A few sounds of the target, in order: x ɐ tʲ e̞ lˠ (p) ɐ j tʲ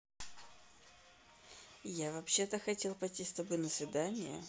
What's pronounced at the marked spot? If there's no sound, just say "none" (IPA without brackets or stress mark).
p